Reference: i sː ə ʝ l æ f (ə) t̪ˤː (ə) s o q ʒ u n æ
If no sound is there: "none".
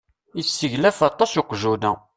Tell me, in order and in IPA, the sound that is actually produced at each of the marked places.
ɑ, ɑ

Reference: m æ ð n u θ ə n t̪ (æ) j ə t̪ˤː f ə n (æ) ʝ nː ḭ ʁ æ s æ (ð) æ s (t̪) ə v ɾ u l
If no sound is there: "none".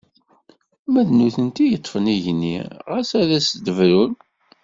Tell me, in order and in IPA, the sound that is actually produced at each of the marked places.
i, i, ð, d̪

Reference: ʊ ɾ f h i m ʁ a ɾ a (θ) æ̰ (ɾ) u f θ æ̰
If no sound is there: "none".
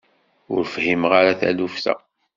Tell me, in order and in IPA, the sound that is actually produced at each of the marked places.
θ, l

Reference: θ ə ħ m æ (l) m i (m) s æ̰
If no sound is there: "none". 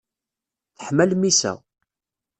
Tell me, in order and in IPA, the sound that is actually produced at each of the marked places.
l, none

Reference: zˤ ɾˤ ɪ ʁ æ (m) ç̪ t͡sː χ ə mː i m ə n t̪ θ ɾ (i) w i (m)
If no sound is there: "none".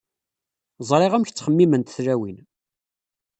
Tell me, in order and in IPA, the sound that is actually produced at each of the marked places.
m, æ, n

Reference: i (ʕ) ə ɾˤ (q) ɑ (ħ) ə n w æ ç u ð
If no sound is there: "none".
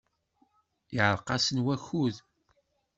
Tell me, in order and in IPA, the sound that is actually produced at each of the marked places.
ʕ, q, s

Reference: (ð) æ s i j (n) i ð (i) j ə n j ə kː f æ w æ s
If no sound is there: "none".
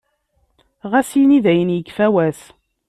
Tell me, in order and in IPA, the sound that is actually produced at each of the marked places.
ʁ, n, æ

